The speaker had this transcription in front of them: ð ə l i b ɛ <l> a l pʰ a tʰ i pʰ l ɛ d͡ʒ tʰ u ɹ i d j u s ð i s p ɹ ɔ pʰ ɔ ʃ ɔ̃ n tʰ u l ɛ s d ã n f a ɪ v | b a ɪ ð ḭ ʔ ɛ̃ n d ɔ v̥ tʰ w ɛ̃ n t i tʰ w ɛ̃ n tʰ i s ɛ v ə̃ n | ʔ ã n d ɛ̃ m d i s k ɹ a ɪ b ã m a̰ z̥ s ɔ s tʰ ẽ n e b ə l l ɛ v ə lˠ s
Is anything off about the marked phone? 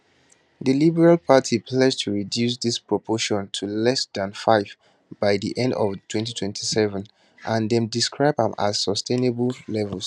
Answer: yes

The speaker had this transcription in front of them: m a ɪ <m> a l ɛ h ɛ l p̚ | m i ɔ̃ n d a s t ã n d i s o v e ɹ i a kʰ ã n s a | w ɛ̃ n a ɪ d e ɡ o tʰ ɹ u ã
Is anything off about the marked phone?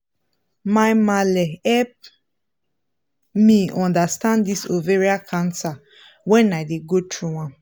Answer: no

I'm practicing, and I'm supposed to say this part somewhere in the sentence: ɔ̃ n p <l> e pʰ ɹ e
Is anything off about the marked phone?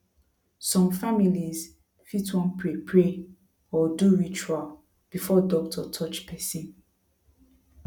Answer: yes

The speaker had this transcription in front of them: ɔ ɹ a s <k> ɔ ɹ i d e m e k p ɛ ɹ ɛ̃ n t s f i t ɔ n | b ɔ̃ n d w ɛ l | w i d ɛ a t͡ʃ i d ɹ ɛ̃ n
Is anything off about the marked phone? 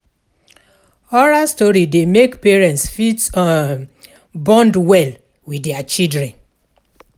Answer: yes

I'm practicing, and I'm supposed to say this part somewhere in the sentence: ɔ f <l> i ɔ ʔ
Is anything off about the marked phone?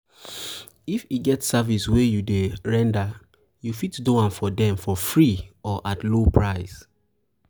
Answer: yes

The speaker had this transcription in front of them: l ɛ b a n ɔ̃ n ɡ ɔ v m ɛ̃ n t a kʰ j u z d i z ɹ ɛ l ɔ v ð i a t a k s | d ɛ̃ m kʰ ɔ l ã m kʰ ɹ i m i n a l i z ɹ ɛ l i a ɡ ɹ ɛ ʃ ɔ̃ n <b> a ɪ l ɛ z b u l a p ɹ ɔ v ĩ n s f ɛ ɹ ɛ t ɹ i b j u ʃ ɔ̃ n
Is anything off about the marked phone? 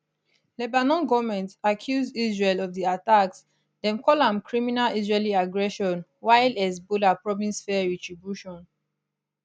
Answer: yes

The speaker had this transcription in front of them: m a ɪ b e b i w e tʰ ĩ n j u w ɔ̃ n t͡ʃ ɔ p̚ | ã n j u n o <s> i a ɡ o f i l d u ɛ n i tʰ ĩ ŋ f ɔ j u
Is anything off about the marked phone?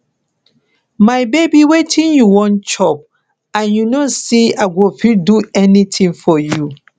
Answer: no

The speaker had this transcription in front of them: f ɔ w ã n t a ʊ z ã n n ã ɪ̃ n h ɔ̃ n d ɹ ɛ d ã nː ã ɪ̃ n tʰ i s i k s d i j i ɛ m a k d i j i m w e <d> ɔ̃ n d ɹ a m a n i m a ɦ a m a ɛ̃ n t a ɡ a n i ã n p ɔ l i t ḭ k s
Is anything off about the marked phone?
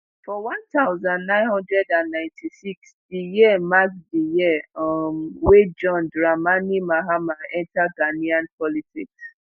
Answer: yes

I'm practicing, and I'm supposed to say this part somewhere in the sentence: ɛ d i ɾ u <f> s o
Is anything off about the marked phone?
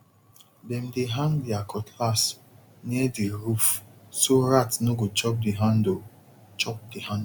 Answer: no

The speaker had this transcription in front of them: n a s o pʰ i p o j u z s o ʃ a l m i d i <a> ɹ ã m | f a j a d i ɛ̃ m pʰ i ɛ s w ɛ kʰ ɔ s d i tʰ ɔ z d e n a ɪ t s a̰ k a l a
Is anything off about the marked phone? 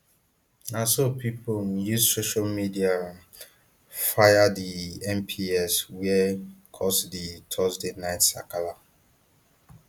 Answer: no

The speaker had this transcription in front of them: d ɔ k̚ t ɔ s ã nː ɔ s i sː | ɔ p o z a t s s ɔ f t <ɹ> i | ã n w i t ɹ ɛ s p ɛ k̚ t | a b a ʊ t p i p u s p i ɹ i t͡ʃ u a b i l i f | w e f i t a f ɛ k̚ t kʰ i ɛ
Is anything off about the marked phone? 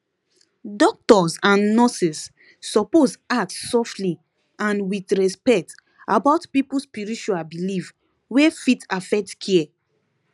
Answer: yes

